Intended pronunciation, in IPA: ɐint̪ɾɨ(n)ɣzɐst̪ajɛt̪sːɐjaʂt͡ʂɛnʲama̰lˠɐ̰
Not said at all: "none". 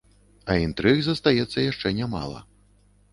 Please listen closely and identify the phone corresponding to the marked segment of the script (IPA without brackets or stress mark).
none